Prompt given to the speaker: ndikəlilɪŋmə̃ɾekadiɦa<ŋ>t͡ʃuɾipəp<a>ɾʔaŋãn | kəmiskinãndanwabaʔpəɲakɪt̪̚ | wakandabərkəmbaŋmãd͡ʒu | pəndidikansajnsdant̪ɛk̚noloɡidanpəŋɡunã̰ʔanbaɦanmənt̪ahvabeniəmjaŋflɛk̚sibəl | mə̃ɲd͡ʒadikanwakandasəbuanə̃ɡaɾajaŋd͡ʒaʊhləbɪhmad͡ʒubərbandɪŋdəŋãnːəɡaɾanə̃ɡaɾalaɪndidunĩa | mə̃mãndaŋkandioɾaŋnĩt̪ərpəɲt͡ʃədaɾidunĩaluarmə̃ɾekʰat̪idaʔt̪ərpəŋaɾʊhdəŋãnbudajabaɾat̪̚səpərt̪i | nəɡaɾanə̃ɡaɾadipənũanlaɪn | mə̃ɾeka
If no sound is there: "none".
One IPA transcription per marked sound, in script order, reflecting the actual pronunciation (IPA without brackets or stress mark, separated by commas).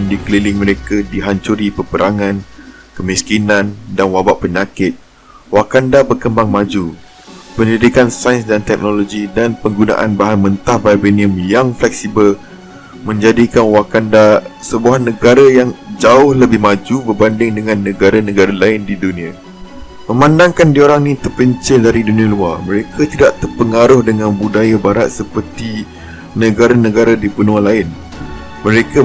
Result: ɲ, ə